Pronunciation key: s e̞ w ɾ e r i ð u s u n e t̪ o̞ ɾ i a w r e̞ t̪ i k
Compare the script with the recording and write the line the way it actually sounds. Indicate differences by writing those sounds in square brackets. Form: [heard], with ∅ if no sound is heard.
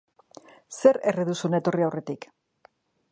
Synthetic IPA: s e̞ [∅] ɾ e r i ð u s u n e t̪ o̞ [r] i a w r e̞ t̪ i k

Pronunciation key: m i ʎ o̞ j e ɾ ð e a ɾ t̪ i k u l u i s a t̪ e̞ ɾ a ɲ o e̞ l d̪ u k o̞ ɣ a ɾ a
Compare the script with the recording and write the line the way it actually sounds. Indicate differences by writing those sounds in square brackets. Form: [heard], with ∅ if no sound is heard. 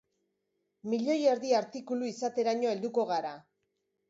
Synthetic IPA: m i ʎ o̞ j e ɾ ð [i] a ɾ t̪ i k u l u i s a t̪ e̞ ɾ a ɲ o e̞ l d̪ u k o̞ ɣ a ɾ a

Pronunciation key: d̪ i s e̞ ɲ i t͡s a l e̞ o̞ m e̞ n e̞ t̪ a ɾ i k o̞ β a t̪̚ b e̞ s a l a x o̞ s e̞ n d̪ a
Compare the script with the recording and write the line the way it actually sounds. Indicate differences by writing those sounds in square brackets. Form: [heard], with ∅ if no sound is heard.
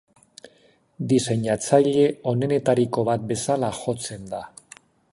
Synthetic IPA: d̪ i s e̞ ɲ [a] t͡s a [ʎ] e̞ o̞ [n] e̞ n e̞ t̪ a ɾ i k o̞ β a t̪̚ b e̞ s a l a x o̞ [t͡s] e̞ n d̪ a

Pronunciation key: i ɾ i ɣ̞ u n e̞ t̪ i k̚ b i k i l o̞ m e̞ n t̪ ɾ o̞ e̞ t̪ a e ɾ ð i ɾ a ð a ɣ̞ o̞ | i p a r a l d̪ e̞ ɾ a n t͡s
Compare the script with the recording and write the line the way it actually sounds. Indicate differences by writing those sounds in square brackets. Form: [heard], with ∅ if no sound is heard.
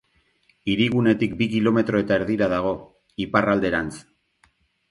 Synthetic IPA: i ɾ i ɣ̞ u n e̞ t̪ i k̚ b i k i l o̞ m e̞ [∅] t̪ ɾ o̞ e̞ t̪ a e ɾ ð i ɾ a ð a ɣ̞ o̞ | i p a r a l d̪ e̞ ɾ a n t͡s

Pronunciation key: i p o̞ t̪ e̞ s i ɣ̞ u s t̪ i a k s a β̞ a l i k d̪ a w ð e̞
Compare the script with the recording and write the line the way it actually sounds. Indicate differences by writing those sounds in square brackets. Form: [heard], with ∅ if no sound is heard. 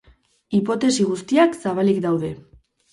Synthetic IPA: i p o̞ t̪ e̞ s i ɣ̞ u s t̪ i a k s a β̞ a l i k d̪ a w ð e̞

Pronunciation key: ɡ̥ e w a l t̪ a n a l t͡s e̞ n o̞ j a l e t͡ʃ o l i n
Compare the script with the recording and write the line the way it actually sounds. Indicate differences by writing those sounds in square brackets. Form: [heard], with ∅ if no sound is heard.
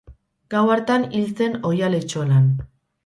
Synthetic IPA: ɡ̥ [a] w a [ɾ] t̪ a n [i] l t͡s e̞ n o̞ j a l e t͡ʃ o l [a] n

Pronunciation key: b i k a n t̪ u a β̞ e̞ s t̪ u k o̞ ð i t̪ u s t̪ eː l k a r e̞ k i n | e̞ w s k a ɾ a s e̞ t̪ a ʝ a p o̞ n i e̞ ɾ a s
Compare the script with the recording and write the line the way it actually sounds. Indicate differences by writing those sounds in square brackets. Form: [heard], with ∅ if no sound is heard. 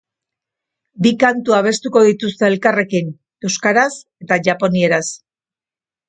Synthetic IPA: b i k a n t̪ u a β̞ e̞ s t̪ u k o̞ ð i t̪ u s t̪ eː l k a r e̞ k i n | e̞ w s k a ɾ a s e̞ t̪ a ʝ a p o̞ n i e̞ ɾ a s

